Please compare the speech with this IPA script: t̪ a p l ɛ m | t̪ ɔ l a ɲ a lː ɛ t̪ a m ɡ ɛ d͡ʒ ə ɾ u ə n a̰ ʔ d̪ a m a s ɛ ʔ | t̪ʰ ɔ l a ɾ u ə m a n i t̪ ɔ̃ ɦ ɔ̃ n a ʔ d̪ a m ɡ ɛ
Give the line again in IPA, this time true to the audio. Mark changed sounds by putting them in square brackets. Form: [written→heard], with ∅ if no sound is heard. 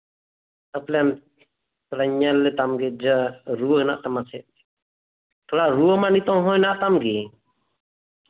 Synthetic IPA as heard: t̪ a p l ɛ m | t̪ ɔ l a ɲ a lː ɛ t̪ a m ɡ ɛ d͡ʒ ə ɾ u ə n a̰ ʔ [d̪→t̪] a m a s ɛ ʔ | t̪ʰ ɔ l a ɾ u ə m a n i t̪ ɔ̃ ɦ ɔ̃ n a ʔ [d̪→t̪] a m ɡ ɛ